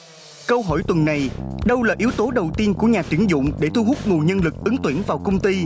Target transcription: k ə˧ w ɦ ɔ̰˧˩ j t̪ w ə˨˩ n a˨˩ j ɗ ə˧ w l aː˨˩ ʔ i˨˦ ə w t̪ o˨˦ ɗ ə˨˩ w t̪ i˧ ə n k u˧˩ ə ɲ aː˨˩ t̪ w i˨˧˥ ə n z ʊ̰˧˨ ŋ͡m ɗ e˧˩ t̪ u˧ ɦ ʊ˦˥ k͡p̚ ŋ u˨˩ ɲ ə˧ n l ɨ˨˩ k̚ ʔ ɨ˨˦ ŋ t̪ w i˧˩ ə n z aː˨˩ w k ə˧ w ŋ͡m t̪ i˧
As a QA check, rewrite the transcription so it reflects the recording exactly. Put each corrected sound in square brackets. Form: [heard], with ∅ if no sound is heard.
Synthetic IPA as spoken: k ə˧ w ɦ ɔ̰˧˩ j t̪ w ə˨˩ [nː] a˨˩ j ɗ ə˧ w l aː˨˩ ʔ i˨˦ ə w t̪ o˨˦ ɗ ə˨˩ w t̪ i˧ ə n k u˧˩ ə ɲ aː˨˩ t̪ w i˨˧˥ ə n z ʊ̰˧˨ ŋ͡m ɗ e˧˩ t̪ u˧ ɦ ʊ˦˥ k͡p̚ ŋ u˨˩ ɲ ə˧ n l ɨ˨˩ k̚ ʔ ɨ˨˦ ŋ t̪ w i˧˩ ə n [v] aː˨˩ w k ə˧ w ŋ͡m t̪ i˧